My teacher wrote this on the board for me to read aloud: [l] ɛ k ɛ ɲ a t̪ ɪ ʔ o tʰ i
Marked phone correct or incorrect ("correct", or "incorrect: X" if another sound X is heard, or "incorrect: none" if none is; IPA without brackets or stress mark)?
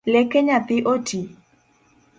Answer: correct